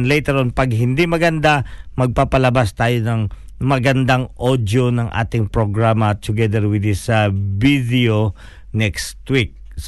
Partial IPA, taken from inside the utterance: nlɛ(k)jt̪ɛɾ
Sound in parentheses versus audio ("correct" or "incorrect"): incorrect